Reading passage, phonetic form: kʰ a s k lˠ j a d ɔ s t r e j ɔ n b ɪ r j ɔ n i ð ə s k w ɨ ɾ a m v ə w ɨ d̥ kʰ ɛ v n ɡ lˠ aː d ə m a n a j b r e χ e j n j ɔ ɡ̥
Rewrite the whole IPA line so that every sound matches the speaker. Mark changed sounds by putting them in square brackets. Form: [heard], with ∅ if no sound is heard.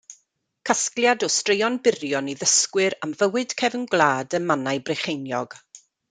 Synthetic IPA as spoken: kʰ a s k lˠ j a d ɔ s t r e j ɔ n b ɪ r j ɔ n i ð ə s k w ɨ ɾ a m v ə w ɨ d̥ kʰ ɛ v n ɡ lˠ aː d ə m a n a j b r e χ e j n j ɔ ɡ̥